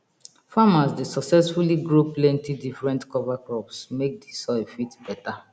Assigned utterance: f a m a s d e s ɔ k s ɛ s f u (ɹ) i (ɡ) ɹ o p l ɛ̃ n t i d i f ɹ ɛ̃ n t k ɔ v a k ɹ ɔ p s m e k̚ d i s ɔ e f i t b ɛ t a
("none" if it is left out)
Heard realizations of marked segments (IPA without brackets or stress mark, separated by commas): l, ɡ